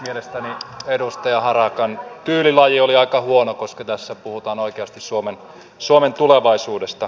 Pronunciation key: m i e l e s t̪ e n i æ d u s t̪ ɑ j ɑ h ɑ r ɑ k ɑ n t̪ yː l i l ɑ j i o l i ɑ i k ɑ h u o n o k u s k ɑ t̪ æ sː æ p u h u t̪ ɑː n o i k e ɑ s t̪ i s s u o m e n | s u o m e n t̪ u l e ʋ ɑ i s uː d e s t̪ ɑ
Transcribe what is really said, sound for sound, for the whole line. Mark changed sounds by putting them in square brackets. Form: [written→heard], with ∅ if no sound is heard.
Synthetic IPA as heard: m i e l e s t̪ [e→æ] n i [æ→e] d u s t̪ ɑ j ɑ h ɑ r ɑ k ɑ n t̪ yː l i l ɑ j i o l i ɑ i k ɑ h u o n o k [u→o] s k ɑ t̪ æ sː æ p u h u t̪ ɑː n o i k e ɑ s t̪ i s s u o m e n | s u o m e n t̪ u l e ʋ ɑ i s uː d e s t̪ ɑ